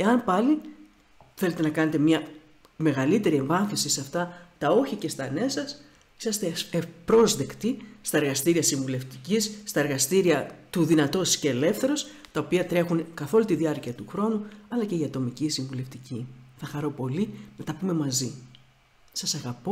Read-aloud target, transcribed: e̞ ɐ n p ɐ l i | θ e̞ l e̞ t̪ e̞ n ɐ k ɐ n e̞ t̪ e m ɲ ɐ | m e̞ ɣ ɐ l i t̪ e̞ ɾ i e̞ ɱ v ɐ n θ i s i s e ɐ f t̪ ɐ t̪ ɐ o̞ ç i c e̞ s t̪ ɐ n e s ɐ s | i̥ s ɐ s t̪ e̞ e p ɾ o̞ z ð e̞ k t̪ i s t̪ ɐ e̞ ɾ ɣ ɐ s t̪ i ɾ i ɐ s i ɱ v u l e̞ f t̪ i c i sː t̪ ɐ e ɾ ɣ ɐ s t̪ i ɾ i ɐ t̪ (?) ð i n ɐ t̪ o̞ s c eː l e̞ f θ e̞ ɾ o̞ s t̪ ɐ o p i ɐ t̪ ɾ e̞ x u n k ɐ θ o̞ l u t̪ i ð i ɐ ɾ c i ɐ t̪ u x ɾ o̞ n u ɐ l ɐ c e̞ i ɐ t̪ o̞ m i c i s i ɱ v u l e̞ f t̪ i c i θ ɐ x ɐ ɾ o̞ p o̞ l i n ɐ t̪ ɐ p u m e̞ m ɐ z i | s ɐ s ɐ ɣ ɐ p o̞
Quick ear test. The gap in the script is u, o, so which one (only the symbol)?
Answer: u